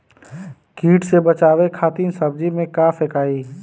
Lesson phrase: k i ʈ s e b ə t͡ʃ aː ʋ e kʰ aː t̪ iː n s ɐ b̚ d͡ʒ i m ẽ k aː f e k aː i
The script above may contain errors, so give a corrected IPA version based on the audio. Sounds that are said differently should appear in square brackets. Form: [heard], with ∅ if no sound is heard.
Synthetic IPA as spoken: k [iː] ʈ s e b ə t͡ʃ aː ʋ e kʰ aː t̪ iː n s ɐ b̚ d͡ʒ i m ẽ k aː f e k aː i